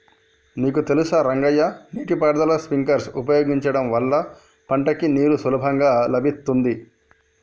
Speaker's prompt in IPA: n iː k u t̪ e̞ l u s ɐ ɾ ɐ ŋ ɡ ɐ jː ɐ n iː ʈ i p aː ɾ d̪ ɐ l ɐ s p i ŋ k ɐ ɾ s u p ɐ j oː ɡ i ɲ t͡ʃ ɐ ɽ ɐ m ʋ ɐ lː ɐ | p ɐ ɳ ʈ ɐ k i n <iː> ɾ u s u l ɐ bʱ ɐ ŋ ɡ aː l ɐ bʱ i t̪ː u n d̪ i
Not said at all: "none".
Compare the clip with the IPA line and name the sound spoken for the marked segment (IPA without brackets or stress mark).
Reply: iː